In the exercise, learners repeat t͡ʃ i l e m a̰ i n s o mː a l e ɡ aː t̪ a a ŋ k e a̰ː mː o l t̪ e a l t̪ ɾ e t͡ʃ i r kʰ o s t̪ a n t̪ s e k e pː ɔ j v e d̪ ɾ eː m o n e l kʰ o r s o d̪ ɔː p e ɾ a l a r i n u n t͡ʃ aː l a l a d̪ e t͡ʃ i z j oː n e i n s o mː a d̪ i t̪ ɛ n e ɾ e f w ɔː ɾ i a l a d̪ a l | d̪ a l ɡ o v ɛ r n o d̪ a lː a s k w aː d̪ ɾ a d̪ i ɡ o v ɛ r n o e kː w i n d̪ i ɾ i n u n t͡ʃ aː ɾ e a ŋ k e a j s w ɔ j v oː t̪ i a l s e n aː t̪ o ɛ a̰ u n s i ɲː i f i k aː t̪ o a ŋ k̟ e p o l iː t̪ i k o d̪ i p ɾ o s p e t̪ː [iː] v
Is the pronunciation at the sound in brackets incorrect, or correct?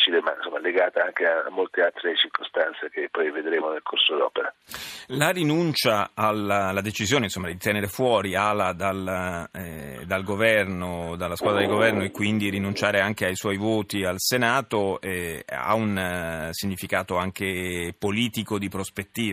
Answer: correct